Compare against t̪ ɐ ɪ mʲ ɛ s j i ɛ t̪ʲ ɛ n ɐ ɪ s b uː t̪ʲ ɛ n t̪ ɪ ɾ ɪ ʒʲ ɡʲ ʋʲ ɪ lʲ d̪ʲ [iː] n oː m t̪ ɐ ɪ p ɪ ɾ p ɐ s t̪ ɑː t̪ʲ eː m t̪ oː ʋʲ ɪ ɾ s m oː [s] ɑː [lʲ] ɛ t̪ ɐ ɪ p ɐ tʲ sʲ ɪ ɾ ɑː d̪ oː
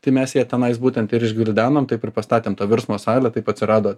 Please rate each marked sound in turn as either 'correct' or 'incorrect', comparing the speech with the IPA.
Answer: incorrect: æː, correct, correct

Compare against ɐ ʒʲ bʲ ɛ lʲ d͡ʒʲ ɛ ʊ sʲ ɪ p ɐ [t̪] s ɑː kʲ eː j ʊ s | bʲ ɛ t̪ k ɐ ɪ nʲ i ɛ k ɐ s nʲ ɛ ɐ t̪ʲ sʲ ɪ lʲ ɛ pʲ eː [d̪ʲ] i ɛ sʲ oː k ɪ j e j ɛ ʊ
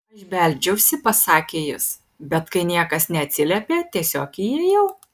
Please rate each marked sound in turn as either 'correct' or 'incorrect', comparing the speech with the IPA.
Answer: incorrect: none, incorrect: t̪ʲ

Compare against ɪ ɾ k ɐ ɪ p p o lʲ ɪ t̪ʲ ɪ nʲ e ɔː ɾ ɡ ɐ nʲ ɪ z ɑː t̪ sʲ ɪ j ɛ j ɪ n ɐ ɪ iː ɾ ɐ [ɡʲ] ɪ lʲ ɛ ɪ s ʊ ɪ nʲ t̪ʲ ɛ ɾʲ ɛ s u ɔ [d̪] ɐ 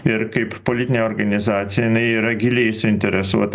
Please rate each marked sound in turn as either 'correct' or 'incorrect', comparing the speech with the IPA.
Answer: correct, incorrect: t̪

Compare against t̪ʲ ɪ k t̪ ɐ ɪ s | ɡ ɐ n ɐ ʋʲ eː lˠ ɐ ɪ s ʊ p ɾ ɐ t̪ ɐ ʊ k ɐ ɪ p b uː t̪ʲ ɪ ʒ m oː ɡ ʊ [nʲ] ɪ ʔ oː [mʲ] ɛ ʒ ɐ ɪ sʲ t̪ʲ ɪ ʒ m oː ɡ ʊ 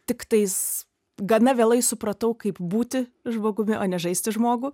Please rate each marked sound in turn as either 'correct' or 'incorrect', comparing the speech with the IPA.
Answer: incorrect: mʲ, incorrect: nʲ

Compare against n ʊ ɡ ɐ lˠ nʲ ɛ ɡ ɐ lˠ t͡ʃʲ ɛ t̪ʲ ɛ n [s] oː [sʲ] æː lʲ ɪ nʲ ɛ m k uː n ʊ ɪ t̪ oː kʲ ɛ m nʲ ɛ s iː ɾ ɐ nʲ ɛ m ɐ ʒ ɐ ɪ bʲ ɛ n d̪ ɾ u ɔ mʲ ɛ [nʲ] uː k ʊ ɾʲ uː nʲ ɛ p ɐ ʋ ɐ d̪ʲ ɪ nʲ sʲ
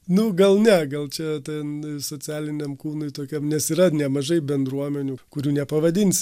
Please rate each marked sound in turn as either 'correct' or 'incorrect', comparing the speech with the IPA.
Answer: correct, incorrect: t͡sʲ, correct

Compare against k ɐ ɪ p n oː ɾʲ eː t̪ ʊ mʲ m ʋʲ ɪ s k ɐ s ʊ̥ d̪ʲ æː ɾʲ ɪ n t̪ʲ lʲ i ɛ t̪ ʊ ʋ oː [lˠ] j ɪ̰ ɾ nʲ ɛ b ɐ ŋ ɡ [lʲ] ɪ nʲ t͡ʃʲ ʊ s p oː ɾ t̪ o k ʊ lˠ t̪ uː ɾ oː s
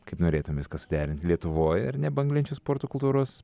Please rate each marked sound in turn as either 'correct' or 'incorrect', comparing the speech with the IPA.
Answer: incorrect: none, correct

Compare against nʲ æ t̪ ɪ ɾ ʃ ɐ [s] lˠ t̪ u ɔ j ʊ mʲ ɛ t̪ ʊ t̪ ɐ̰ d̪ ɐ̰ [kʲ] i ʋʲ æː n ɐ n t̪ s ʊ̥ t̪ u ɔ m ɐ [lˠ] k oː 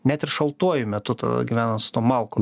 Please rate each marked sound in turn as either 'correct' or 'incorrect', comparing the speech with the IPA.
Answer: incorrect: none, incorrect: ɡʲ, correct

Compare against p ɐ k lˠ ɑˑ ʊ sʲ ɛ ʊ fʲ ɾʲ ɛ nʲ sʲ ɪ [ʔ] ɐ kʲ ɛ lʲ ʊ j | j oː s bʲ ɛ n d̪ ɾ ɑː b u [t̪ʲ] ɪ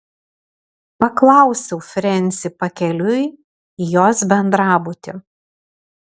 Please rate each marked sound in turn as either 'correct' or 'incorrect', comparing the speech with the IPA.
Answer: incorrect: p, correct

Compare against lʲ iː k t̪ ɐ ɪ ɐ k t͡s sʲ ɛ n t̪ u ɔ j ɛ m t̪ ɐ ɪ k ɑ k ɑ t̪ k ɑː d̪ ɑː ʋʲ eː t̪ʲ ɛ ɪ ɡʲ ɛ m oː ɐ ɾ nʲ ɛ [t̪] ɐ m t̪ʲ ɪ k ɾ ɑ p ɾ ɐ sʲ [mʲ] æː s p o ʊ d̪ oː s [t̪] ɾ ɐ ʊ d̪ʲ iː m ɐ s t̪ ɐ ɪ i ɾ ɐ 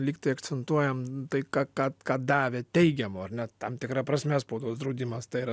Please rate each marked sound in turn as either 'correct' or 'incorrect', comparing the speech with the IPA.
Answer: correct, correct, incorrect: d̪

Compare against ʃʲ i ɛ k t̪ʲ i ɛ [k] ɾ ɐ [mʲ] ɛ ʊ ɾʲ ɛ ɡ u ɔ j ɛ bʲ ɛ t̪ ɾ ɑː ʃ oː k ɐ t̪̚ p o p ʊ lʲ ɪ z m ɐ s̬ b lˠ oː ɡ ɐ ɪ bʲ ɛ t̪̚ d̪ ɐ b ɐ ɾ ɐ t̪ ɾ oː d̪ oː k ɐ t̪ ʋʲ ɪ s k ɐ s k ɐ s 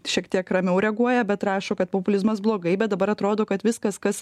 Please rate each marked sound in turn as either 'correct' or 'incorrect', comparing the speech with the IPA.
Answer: correct, correct

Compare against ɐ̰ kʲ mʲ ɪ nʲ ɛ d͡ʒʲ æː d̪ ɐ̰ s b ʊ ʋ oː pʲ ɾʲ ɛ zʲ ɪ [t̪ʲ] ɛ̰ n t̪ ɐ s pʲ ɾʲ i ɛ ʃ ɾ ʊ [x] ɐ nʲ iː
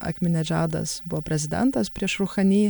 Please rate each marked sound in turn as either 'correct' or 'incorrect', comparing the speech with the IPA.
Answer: incorrect: d̪ʲ, correct

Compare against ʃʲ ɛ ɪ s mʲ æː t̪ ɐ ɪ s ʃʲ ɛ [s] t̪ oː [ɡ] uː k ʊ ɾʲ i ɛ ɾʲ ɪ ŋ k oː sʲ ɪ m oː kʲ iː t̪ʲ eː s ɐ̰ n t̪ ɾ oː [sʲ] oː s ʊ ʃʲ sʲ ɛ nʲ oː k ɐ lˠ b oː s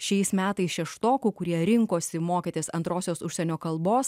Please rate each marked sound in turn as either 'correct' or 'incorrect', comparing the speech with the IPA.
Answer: incorrect: ʃ, incorrect: k, correct

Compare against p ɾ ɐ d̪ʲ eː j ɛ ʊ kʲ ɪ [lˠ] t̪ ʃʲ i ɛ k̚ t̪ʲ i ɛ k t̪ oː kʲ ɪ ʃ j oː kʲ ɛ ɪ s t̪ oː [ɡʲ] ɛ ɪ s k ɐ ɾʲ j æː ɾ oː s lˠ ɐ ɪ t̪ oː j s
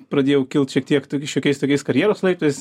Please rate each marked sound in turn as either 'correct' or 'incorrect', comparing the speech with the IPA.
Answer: correct, incorrect: kʲ

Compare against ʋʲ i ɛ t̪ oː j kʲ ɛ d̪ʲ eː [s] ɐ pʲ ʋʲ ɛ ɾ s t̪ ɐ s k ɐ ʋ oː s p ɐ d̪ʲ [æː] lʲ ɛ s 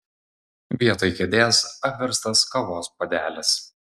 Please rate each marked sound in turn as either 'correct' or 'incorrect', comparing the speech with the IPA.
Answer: correct, correct

